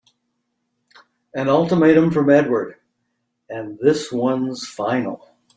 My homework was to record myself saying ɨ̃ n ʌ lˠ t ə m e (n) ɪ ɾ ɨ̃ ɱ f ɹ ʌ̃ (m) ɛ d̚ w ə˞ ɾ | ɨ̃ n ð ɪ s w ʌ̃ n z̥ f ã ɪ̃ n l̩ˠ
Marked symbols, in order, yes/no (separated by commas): no, yes